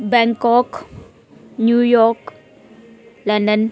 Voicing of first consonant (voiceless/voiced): voiced